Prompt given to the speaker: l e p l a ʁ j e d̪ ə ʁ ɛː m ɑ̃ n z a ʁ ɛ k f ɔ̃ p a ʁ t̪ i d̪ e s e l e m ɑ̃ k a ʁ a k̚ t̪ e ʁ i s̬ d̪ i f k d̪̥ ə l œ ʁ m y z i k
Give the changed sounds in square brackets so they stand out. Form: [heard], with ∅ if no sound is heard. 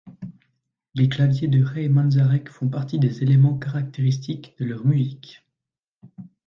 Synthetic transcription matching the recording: l e [k] l a [v] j e d̪ ə ʁ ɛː m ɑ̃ n z a ʁ ɛ k f ɔ̃ p a ʁ t̪ i d̪ e [z] e l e m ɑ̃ k a ʁ a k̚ t̪ e ʁ i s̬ [t̪] i [∅] k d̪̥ ə l œ ʁ m y z i k